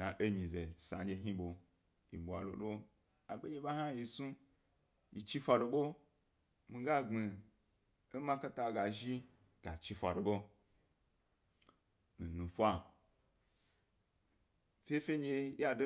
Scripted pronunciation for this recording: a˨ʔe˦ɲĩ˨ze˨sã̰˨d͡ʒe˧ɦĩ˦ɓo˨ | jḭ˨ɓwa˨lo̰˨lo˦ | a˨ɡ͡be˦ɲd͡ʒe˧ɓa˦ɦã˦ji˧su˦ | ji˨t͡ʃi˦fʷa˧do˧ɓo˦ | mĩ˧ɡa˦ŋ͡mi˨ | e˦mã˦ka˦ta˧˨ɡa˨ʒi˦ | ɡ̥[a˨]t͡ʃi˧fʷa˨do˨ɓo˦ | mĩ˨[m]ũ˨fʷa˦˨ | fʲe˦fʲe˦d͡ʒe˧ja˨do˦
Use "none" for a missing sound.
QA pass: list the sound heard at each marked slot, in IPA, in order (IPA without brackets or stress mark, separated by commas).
a˨, n